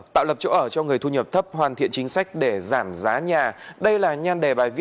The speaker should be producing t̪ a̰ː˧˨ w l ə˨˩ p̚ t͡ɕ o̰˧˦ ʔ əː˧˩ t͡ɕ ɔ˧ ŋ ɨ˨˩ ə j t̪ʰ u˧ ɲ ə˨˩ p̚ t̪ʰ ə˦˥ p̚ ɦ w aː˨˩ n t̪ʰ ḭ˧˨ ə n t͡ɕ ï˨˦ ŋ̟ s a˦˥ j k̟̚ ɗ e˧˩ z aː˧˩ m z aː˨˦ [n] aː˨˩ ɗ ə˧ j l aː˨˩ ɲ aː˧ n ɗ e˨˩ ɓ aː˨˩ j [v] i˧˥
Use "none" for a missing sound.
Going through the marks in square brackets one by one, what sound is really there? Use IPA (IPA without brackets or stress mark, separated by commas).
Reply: ɲ, v